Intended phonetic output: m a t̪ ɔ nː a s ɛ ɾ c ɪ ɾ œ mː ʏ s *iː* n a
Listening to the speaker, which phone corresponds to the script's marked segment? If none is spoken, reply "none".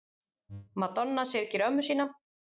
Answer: iː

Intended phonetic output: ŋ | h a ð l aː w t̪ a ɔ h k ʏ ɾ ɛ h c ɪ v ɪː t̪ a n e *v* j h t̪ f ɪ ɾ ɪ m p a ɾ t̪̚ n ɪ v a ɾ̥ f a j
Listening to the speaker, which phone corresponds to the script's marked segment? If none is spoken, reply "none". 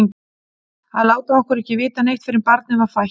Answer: none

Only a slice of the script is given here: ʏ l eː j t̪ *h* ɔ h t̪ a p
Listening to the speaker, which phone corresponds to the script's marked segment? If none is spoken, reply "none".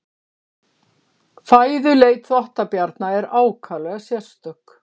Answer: θ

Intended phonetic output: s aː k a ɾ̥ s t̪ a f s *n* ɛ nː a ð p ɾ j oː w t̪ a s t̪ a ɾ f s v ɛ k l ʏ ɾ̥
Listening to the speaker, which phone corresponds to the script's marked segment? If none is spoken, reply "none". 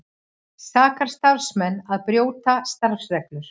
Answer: m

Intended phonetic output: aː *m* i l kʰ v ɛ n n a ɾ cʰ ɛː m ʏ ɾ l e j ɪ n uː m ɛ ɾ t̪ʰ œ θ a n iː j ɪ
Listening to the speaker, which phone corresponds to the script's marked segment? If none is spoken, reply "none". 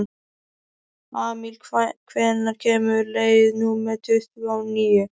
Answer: m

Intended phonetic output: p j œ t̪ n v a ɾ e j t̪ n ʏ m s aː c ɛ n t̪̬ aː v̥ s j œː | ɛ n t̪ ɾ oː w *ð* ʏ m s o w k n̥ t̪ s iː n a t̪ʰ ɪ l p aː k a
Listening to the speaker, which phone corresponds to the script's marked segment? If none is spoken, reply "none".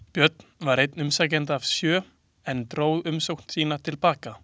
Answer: ð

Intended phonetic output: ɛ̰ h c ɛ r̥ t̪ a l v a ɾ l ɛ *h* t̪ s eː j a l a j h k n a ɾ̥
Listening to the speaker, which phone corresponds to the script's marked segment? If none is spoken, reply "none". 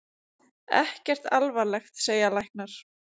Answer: x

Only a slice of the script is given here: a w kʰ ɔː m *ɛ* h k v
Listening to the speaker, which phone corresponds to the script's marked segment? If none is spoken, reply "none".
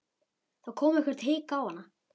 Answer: ɛ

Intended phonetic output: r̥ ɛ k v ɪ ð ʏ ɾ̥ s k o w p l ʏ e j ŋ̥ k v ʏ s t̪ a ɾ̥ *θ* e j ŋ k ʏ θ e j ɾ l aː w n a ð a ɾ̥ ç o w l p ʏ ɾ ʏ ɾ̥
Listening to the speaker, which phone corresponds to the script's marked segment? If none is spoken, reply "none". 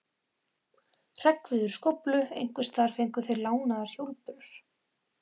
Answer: f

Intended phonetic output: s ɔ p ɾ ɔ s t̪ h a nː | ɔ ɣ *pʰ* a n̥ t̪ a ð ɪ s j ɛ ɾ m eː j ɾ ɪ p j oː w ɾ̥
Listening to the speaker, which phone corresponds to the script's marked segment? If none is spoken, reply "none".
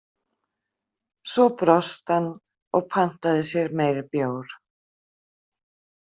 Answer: pʰ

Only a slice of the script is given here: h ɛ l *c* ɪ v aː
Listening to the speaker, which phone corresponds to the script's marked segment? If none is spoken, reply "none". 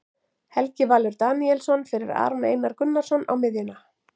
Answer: c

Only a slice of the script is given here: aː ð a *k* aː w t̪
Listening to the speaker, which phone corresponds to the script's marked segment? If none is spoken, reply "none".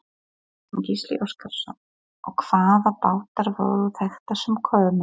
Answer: p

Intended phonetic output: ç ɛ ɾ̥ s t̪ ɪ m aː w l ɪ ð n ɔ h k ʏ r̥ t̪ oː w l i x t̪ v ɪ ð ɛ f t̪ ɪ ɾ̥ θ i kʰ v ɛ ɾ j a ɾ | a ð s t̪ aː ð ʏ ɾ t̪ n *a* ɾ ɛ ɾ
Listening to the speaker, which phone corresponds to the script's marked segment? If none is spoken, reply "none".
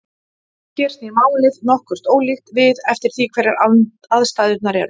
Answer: a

